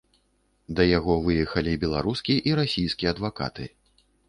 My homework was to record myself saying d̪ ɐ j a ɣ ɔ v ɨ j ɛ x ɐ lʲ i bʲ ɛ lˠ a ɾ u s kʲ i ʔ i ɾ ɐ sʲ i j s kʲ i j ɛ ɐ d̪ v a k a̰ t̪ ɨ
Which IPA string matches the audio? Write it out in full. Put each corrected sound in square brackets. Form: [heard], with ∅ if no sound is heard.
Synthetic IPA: d̪ ɐ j a ɣ ɔ v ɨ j ɛ x ɐ lʲ i bʲ ɛ lˠ a ɾ u s kʲ i ʔ i ɾ [a] sʲ i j s kʲ i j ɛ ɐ d̪ v a k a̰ t̪ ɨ